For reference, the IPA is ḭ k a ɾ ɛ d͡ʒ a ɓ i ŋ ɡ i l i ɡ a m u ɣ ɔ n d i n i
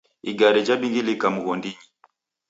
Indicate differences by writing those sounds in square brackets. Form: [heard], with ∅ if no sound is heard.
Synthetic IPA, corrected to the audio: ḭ [ɡ] a ɾ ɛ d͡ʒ a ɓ i ŋ ɡ i l i [k] a m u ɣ ɔ n d i [ɲ] i